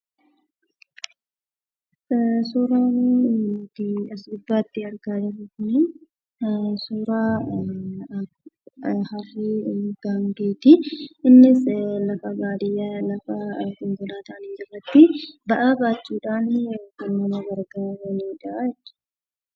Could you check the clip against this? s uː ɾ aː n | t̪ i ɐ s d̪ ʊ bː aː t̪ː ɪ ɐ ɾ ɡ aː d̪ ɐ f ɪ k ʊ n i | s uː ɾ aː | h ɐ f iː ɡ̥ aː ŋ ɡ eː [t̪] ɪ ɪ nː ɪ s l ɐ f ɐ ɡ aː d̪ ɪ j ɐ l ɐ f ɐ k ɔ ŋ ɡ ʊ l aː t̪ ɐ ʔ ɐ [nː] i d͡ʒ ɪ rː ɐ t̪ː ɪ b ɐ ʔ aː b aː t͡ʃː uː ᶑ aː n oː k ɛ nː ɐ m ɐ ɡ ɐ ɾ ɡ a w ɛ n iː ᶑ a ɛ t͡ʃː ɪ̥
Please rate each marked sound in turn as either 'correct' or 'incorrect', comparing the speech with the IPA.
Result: correct, incorrect

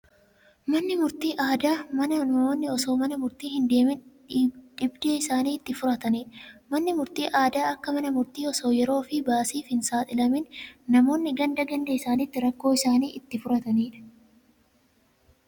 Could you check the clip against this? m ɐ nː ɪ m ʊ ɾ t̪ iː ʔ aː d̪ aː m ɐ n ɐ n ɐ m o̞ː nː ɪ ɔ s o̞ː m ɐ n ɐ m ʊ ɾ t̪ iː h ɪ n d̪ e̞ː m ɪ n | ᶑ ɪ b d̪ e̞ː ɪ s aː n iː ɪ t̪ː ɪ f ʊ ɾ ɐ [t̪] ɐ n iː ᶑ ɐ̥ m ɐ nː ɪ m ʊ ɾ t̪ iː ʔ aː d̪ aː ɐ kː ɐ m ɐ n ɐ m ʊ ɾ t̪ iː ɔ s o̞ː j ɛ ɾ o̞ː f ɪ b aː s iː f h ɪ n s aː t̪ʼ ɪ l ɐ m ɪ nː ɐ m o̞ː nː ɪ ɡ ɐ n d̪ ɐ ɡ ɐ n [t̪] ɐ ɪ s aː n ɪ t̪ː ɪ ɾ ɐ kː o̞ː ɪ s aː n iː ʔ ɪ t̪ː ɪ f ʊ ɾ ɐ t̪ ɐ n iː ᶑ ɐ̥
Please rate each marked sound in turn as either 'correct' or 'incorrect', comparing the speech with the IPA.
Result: correct, incorrect

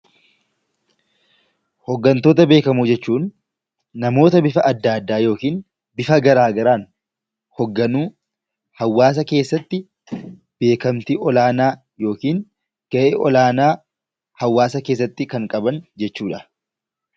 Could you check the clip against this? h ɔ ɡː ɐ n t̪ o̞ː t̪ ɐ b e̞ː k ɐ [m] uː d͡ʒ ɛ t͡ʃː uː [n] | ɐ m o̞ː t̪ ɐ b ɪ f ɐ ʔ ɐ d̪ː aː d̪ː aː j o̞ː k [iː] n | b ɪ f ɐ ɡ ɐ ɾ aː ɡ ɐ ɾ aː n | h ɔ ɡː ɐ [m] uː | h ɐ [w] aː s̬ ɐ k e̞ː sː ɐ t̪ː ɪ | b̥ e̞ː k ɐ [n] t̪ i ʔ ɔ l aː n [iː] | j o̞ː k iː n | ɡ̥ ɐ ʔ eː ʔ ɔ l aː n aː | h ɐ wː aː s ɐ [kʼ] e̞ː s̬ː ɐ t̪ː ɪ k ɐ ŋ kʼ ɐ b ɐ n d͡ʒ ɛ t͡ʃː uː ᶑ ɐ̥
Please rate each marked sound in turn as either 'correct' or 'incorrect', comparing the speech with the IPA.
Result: correct, incorrect, correct, incorrect, incorrect, incorrect, incorrect, incorrect

